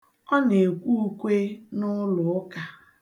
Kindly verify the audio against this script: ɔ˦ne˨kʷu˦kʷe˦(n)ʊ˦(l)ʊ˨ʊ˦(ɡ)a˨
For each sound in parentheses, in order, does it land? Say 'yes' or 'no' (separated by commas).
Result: yes, yes, no